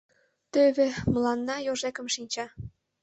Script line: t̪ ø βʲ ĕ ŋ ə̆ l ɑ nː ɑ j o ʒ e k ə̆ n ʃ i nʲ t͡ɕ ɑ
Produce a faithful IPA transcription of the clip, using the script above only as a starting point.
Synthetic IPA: t̪ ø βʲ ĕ m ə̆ l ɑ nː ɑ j o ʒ e k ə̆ m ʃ i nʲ t͡ɕ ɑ